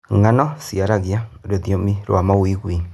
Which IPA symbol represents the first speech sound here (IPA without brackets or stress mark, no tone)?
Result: ŋ